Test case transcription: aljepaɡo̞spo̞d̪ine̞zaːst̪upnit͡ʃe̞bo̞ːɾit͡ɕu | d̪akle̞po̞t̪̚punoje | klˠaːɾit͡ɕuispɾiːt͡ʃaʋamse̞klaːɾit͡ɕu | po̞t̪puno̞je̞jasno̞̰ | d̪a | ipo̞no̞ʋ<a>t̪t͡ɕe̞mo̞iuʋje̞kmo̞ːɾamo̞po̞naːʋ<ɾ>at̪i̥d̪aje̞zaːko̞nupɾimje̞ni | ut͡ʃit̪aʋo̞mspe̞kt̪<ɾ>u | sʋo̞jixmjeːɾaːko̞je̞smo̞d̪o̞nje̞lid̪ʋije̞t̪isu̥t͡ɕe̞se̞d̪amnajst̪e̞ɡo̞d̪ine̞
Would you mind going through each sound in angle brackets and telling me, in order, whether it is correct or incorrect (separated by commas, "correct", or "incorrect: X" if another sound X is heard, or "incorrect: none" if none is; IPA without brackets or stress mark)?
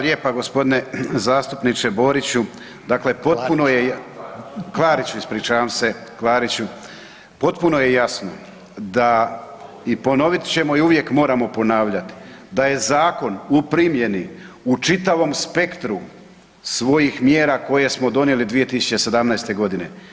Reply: incorrect: i, incorrect: ʎ, correct